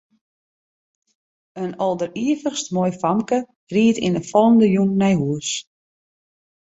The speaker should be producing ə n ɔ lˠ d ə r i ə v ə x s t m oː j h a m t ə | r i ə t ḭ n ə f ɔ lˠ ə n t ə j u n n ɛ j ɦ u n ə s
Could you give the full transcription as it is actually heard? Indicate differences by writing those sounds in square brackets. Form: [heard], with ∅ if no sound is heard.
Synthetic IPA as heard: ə n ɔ lˠ d ə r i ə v ə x s t m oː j [f] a m [k] ə | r i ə t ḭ n ə f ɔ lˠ ə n [d] ə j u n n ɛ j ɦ u [∅] ə s